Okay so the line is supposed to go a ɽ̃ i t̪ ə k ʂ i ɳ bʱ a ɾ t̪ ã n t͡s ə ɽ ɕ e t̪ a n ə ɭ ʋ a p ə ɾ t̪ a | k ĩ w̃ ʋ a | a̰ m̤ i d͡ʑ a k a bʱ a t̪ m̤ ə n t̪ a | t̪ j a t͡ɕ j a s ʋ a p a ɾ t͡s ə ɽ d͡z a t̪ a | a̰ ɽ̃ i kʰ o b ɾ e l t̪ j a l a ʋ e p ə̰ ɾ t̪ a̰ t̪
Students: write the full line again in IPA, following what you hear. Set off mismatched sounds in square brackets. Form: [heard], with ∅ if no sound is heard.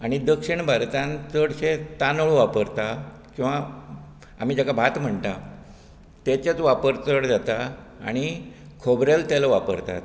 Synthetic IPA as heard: a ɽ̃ i [d̪] ə k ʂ i ɳ bʱ a ɾ t̪ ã n t͡s ə ɽ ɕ e t̪ a n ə ɭ ʋ a p ə ɾ t̪ a | k ĩ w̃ ʋ a | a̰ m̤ i d͡ʑ a k a bʱ a t̪ m̤ ə [ɳ] t̪ a | t̪ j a t͡ɕ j a [t͡s] ʋ a p [ə] ɾ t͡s ə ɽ d͡z a t̪ a | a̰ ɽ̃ i kʰ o b ɾ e l t̪ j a l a ʋ [a] p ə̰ ɾ t̪ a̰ t̪